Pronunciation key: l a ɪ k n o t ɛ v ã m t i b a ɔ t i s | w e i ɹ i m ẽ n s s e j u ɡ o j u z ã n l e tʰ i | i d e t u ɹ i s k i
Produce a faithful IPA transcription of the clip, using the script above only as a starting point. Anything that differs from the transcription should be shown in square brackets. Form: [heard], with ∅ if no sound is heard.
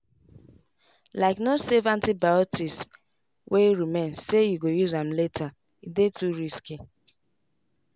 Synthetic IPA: l a ɪ k n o [s] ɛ v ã [n] t i b a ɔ t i s | w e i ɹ i m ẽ n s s e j u ɡ o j u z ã [m] l e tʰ [a] | i d e t u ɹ i s k i